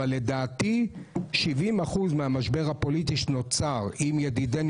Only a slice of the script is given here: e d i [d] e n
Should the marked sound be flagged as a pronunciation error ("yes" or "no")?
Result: no